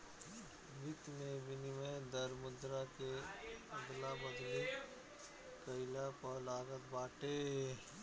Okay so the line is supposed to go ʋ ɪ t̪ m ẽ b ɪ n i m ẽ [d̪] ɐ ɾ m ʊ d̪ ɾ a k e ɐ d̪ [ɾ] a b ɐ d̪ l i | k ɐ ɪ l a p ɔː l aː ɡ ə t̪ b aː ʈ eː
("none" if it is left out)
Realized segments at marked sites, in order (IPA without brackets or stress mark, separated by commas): d̪, l